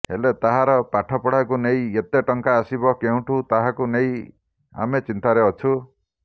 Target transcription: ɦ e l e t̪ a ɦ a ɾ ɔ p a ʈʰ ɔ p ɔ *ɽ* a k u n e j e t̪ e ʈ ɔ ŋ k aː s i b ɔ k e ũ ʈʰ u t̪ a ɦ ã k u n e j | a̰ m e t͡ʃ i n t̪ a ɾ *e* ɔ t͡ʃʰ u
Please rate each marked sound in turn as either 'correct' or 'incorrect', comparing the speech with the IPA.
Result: correct, correct

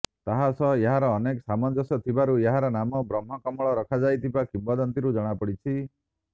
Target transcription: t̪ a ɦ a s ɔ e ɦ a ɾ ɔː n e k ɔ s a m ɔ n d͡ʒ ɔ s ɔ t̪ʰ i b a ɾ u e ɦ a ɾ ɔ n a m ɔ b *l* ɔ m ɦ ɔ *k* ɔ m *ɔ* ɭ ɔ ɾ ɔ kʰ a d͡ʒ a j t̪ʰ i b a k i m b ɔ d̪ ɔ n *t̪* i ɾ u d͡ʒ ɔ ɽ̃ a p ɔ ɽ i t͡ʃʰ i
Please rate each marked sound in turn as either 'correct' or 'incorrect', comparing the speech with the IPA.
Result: incorrect: ɾ, correct, correct, correct

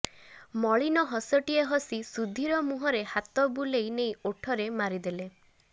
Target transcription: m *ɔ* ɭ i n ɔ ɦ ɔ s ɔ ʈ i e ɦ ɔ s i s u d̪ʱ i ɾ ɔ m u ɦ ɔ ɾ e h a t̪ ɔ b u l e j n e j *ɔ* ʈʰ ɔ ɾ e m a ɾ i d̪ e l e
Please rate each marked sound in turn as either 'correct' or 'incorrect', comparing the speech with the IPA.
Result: correct, incorrect: o

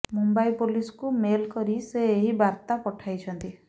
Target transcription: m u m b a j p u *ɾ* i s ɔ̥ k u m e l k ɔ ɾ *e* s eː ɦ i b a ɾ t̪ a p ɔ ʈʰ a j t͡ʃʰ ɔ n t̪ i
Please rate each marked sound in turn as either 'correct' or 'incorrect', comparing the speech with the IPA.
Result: incorrect: l, incorrect: i

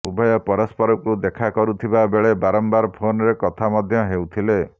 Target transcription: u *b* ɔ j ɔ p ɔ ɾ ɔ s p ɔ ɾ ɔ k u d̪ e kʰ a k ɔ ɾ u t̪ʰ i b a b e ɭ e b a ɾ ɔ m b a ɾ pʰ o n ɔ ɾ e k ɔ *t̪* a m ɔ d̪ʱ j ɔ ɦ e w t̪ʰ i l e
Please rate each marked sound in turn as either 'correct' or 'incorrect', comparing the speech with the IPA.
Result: correct, incorrect: t̪ʰ

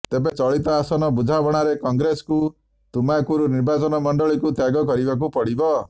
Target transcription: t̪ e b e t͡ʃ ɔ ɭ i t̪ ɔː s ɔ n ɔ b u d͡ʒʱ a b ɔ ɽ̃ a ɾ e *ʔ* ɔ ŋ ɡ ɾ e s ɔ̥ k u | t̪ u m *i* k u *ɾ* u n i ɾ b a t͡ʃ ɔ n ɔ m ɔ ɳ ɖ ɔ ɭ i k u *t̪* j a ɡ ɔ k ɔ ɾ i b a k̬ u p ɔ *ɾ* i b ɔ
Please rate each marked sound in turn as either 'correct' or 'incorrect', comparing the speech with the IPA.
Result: incorrect: k, incorrect: a, correct, correct, incorrect: ɽ

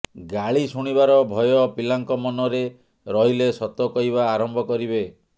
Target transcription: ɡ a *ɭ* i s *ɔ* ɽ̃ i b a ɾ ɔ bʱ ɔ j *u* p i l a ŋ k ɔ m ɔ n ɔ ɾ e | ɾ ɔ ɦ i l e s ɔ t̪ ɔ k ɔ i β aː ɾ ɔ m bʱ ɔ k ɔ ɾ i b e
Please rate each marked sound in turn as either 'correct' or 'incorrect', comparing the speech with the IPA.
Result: correct, incorrect: u, incorrect: ɔ

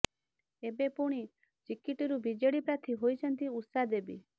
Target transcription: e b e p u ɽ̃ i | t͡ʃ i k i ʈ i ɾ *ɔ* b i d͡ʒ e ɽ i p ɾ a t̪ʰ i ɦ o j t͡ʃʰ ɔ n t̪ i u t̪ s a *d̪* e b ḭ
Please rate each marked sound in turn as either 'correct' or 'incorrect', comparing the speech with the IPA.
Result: incorrect: u, correct

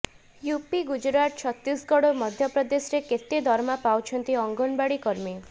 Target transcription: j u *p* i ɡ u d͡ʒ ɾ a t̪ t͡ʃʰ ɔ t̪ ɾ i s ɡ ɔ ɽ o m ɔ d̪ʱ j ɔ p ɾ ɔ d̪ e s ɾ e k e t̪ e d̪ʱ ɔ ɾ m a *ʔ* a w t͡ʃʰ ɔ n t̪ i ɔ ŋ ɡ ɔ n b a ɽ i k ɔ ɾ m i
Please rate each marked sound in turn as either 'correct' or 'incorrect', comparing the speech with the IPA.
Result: correct, incorrect: p

